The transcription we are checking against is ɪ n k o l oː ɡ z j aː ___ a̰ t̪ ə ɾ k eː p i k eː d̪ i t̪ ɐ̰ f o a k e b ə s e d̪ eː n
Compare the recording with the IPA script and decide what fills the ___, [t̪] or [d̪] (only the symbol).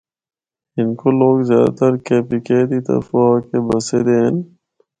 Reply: d̪